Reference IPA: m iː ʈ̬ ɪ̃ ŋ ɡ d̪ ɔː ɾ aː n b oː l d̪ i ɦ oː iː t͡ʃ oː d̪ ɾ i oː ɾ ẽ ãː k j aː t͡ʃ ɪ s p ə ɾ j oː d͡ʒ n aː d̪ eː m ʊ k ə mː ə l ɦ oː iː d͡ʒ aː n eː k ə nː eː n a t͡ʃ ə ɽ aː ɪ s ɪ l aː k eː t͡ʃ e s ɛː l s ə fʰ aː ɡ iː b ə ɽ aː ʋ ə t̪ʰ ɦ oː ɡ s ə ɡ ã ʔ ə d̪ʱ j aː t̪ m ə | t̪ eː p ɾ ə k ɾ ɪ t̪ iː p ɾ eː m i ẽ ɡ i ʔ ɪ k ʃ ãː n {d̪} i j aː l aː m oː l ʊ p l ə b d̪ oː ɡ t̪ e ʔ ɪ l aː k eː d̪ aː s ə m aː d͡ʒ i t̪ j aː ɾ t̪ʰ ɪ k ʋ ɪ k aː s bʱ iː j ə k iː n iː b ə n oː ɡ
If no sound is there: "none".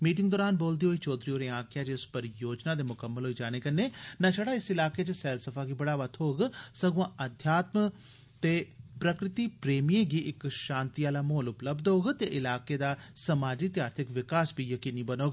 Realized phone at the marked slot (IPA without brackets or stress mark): t̪